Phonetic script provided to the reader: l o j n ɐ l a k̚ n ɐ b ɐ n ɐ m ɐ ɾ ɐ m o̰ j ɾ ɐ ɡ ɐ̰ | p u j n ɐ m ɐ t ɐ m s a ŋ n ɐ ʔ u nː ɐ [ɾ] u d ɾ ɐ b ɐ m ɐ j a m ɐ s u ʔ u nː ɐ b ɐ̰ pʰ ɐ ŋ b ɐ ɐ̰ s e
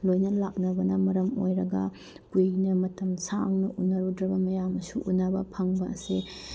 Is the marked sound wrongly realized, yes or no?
no